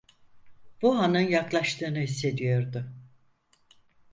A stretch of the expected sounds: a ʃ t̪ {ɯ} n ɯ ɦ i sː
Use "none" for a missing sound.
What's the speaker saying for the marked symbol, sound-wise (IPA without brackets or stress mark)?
ɯː